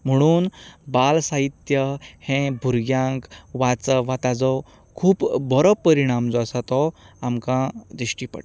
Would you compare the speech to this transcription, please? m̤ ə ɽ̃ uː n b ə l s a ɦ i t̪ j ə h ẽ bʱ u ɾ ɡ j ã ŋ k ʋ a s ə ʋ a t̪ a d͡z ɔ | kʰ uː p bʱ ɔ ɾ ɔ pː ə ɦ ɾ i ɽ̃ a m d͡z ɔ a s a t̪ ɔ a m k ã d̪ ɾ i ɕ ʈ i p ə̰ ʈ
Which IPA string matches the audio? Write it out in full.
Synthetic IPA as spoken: m̤ ə ɽ̃ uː n b a l s a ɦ i t̪ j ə h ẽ bʱ u ɾ ɡ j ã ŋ k ʋ a t͡s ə ʋ a t̪ a d͡z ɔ | kʰ uː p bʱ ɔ ɾ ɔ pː ə ɾ i ɽ̃ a m d͡z ɔ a s a t̪ ɔ a m k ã d̪ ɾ i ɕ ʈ i p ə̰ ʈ